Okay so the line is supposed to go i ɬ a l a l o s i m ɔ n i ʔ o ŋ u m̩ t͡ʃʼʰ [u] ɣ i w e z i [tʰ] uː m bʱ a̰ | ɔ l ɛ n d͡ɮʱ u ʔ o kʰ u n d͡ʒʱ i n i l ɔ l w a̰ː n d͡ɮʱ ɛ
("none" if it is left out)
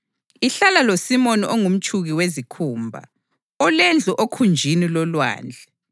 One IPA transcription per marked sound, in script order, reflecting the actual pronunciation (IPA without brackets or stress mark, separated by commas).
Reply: u, kʰ